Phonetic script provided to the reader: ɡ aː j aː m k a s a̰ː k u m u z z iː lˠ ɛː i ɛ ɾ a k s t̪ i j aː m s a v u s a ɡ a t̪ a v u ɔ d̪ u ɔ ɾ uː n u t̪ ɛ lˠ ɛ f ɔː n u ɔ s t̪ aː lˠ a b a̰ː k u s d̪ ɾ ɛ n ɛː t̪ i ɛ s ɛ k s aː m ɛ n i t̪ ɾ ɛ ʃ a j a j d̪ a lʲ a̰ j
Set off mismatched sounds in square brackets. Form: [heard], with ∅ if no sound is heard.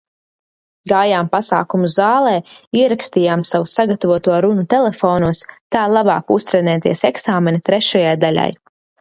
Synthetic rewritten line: ɡ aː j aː m [p] a s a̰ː k u m u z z [aː] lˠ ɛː i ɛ ɾ a k s t̪ i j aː m s a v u s a ɡ a t̪ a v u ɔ [t̪] u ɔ ɾ [u] n u t̪ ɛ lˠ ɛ f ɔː n u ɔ s t̪ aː lˠ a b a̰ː k u s [t̪] ɾ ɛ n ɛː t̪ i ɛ s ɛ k s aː m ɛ n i t̪ ɾ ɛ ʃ a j a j d̪ a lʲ a̰ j